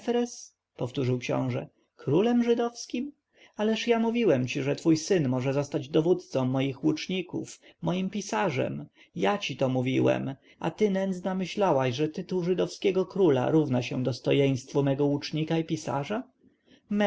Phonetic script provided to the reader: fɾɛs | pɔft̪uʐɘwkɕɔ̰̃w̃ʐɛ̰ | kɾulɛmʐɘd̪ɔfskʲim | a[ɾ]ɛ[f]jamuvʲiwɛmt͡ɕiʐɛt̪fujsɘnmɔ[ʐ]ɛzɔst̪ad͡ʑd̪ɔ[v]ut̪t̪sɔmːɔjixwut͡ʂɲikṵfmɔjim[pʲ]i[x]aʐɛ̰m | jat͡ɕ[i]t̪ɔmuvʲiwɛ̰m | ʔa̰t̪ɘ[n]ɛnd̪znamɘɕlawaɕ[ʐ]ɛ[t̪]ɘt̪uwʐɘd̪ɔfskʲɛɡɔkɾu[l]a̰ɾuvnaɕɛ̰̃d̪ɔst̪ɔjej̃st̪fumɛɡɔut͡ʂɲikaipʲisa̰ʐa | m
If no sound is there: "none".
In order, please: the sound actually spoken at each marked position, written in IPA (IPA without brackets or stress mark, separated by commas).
l, ʂ, ʐ, v, pʲ, s, i, n, ʐ, t̪, l